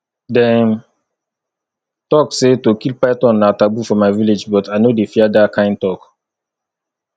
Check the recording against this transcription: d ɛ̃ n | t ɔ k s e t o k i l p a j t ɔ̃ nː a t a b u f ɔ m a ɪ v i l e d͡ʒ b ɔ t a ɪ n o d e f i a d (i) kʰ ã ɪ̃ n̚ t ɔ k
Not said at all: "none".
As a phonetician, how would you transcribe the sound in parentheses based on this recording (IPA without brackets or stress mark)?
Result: a